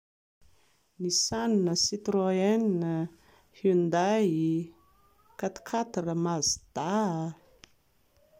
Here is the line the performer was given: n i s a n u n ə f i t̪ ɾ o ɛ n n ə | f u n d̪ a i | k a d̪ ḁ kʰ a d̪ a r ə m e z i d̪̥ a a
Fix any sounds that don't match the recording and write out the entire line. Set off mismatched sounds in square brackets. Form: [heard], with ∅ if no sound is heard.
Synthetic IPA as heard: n i s a n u n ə [s] i t̪ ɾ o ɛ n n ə | [h] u n d̪ a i | k a [t̪] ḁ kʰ a [t̪] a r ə m [a] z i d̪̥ a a